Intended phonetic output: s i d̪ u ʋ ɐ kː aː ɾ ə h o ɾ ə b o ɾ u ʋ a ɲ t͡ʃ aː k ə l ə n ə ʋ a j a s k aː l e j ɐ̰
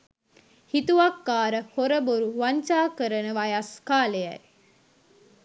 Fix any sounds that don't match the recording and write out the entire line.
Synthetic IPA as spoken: h i t̪ u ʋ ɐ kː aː ɾ ə h o ɾ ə b o ɾ u ʋ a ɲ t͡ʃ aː k ə ɾ ə n ə ʋ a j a s k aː l e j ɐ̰